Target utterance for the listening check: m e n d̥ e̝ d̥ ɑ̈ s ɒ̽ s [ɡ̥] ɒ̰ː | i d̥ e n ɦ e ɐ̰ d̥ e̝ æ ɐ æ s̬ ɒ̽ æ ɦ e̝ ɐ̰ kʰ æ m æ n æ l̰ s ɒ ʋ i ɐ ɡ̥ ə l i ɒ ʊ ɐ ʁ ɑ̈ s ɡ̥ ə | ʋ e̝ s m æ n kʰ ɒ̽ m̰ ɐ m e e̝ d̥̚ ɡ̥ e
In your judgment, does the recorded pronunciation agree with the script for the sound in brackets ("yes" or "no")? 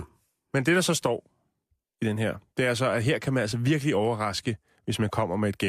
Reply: no